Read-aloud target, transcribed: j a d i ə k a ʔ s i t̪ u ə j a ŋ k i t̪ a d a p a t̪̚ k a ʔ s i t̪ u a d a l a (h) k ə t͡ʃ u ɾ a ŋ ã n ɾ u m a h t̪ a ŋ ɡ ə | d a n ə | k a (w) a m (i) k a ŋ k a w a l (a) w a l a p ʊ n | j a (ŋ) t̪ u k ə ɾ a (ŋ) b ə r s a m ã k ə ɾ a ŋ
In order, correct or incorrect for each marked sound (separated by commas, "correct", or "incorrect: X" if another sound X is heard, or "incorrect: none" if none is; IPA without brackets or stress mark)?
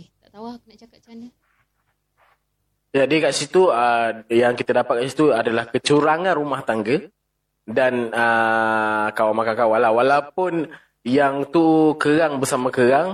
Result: correct, correct, incorrect: a, correct, correct, correct